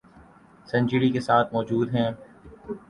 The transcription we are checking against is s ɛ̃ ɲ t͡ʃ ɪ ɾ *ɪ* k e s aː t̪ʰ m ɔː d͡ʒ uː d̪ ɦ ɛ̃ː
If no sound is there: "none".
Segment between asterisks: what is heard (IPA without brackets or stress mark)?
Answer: i